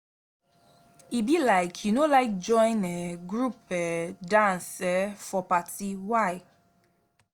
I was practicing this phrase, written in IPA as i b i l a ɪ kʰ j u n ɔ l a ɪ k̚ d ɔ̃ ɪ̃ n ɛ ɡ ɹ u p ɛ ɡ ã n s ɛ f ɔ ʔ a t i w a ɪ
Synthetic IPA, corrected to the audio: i b i l a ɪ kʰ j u n o l a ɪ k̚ d͡ʒ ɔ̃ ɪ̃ n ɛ ɡ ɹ u p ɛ d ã n s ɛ f ɔ p a t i w a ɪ